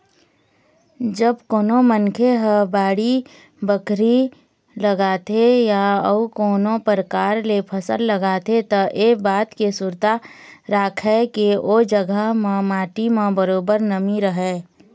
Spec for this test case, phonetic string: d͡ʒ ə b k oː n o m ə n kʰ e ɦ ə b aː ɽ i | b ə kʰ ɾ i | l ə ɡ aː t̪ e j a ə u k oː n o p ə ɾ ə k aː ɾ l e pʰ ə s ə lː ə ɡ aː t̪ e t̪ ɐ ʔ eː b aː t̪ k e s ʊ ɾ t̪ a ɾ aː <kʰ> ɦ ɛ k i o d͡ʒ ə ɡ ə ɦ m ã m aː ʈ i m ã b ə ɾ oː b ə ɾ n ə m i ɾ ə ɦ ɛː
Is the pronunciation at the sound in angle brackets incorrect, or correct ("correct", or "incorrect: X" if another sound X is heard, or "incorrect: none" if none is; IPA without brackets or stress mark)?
correct